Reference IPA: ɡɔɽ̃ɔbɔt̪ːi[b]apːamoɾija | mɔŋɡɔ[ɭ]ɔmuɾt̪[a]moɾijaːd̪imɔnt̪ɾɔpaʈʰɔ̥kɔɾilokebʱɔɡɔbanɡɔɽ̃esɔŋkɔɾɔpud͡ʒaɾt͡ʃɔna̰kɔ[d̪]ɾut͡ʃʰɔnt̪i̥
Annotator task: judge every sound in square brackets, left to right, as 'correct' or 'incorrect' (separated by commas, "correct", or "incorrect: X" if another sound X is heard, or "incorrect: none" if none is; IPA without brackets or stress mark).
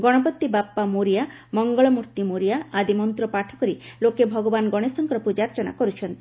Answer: correct, correct, incorrect: i, incorrect: none